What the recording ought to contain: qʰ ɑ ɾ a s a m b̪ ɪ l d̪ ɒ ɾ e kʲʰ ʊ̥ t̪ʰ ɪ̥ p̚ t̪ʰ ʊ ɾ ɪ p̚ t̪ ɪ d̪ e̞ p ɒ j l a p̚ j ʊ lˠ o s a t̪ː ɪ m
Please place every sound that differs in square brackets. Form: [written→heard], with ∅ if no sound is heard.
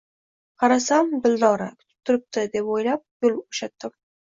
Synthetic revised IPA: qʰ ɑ ɾ a s a m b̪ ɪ l d̪ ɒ ɾ [e→a] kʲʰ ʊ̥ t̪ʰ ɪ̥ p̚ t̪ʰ ʊ ɾ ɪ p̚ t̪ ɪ d̪ e̞ p [ɒ→o] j l a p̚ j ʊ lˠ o [s→ʃ] a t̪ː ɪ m